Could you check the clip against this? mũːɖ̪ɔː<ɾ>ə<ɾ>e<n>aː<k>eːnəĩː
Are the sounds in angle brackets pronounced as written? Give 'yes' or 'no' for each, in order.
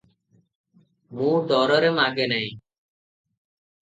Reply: yes, yes, no, no

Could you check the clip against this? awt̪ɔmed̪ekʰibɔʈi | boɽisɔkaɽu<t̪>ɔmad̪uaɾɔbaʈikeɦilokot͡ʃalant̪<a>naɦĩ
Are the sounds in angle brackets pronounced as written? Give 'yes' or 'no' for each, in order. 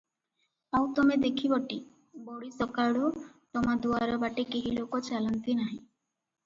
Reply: yes, no

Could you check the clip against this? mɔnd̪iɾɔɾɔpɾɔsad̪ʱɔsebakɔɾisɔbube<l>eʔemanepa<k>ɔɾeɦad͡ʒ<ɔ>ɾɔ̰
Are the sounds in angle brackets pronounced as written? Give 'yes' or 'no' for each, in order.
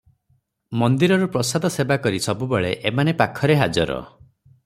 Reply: no, no, yes

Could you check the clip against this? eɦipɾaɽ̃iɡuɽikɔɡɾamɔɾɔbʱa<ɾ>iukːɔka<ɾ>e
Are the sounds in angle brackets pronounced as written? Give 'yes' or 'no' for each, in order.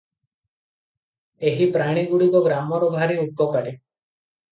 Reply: yes, yes

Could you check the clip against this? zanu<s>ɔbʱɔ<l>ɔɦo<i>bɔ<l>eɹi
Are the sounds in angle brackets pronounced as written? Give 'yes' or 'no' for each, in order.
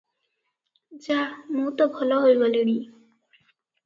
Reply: no, yes, no, yes

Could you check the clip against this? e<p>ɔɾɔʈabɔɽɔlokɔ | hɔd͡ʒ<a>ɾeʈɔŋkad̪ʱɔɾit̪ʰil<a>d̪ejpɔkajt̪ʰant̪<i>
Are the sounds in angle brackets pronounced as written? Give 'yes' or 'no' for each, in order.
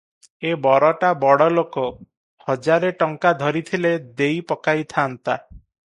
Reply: no, yes, no, no

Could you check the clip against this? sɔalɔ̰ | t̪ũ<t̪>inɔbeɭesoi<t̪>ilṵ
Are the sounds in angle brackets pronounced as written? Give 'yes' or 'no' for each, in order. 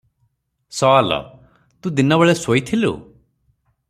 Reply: no, no

